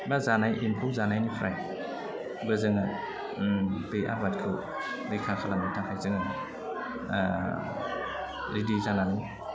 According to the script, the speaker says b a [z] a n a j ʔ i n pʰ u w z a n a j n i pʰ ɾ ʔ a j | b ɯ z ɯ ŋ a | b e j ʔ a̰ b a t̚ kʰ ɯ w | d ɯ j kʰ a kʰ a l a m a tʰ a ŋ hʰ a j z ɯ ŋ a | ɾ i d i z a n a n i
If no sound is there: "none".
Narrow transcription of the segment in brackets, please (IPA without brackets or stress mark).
z